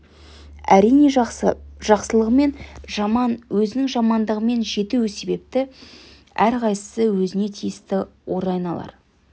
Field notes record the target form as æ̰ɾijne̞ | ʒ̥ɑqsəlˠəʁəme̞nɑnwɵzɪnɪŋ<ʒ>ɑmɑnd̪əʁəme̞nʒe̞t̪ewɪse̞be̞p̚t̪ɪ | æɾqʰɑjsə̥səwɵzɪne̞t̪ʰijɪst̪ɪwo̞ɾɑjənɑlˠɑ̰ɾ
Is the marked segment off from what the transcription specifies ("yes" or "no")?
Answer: no